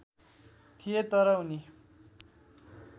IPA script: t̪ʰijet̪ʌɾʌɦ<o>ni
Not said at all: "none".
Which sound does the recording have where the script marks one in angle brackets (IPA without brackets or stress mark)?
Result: u